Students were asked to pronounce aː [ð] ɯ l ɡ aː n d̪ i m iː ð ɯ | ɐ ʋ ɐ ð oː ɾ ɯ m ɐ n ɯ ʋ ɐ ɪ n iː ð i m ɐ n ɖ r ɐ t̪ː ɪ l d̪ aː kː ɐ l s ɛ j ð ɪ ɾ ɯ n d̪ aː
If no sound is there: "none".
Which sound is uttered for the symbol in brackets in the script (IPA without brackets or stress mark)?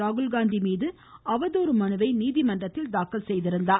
ɣ